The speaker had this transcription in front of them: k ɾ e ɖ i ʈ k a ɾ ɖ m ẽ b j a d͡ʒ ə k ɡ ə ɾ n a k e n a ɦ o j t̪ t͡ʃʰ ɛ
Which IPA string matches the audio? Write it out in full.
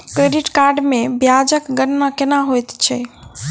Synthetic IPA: k ɾ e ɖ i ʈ k a ɾ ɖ m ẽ b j a d͡ʒ ə k ɡ ə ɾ n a k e n a ɦ o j t̪ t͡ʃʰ ɛ